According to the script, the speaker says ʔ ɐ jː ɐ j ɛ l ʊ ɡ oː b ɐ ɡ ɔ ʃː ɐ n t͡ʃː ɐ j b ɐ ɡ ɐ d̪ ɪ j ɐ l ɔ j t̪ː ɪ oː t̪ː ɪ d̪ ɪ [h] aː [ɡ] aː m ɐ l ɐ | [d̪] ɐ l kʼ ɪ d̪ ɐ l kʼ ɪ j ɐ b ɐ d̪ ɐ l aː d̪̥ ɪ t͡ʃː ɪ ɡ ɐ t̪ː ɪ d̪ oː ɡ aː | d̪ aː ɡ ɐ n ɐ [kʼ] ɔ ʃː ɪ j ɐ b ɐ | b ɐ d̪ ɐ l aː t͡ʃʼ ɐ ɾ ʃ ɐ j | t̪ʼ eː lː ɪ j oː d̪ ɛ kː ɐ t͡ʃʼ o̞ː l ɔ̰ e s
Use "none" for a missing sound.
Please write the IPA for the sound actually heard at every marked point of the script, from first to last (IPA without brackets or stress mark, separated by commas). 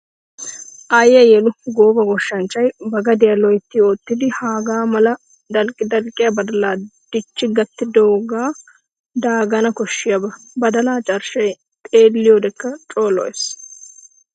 h, ɡ, d̪, k